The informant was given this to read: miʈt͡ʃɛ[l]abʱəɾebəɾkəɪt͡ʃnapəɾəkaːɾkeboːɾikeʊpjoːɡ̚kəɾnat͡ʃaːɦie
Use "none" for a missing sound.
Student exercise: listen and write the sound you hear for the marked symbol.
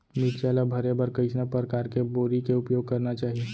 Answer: l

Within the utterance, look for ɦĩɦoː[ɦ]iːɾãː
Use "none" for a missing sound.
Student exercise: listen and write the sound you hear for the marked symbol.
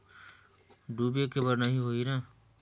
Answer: none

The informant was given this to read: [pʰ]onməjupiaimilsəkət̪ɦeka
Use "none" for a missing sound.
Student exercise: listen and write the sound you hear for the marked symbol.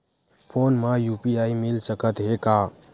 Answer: pʰ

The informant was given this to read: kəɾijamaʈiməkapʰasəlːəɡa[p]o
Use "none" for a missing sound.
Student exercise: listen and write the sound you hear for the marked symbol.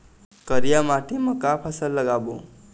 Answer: b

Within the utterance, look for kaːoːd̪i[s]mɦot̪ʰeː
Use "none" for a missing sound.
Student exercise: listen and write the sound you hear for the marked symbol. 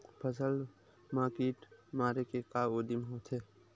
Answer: none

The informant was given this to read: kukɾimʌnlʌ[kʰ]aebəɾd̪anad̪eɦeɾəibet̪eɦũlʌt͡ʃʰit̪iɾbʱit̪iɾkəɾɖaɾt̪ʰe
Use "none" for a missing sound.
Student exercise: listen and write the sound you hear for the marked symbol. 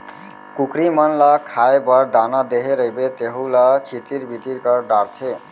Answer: kʰ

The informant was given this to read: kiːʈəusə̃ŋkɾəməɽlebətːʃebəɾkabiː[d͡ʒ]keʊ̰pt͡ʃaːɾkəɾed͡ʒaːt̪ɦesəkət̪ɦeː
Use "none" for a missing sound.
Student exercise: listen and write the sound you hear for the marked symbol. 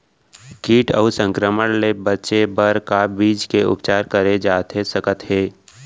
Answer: d͡ʒ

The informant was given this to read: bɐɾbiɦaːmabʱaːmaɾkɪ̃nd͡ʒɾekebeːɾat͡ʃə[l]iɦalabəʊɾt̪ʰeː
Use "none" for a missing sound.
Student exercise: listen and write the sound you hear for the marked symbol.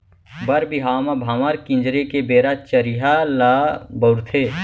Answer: ɾ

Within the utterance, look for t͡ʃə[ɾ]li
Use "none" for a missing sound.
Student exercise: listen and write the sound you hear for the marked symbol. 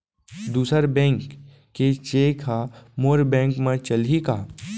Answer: none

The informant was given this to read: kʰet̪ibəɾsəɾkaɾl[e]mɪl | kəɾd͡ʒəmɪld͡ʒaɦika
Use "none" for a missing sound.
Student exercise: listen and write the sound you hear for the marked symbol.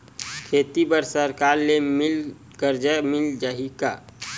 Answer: e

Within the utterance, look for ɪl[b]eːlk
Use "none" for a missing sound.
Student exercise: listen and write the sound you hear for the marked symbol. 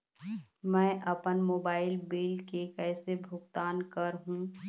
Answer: b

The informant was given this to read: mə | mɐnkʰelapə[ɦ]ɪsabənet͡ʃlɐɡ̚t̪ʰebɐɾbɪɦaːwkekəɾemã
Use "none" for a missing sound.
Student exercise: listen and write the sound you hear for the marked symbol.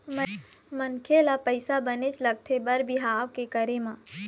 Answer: none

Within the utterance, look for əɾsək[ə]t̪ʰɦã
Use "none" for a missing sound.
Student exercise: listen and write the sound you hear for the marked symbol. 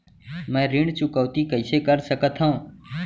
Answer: ə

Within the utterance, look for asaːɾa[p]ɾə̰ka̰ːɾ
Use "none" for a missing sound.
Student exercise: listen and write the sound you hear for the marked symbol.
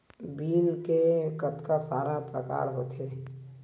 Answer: p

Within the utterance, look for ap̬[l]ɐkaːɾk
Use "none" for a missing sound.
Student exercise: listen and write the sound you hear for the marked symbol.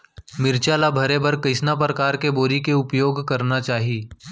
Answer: ɾ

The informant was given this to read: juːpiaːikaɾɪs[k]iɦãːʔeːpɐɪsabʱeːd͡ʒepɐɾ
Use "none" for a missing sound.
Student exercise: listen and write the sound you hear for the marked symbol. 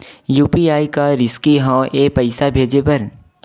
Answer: k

